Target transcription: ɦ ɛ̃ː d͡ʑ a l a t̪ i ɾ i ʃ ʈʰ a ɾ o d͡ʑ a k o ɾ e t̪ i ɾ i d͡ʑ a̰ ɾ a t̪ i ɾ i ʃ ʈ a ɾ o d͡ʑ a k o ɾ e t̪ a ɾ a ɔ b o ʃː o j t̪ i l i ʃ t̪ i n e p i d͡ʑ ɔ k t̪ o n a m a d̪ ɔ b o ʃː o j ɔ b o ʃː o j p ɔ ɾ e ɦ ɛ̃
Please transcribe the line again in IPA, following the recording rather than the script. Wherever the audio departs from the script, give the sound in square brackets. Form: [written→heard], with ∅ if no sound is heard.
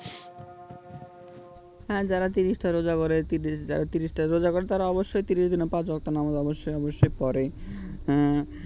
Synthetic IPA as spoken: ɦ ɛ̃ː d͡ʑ a [l→ɾ] a t̪ i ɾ i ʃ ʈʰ a ɾ o d͡ʑ a k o ɾ e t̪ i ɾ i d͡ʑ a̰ ɾ a t̪ i ɾ i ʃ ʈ a ɾ o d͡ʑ a k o ɾ e t̪ a ɾ a ɔ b o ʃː o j t̪ i [l→ɾ] i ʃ [t̪→d̪] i n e p [i→a] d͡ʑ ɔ k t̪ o n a m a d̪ ɔ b o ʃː o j ɔ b o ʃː o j p ɔ ɾ e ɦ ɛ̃